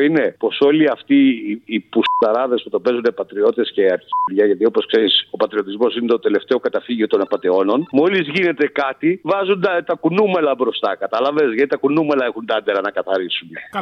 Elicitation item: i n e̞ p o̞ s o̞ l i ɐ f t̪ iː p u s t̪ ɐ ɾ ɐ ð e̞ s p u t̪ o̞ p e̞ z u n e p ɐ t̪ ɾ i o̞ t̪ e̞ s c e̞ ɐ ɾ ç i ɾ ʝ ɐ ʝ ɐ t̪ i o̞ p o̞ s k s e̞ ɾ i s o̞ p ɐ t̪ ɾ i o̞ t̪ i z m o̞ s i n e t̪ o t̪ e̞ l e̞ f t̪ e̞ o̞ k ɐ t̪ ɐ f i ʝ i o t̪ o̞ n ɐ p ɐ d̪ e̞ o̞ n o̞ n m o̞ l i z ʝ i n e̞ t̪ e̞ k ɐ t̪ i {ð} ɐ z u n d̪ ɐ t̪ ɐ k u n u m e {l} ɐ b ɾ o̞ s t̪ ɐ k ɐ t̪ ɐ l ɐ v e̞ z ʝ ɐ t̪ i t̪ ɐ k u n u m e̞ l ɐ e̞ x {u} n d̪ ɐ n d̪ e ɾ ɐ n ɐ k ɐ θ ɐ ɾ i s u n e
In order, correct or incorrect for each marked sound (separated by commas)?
incorrect, correct, correct